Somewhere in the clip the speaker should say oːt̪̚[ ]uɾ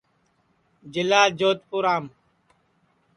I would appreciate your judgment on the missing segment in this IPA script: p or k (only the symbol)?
p